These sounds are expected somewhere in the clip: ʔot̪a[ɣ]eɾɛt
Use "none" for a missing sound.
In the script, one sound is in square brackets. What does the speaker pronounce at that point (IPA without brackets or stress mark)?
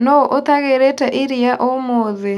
ɣ